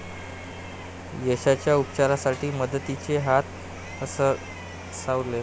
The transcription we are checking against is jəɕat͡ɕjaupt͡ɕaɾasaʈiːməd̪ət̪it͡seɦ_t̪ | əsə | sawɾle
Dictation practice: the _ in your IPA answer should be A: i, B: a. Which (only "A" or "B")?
B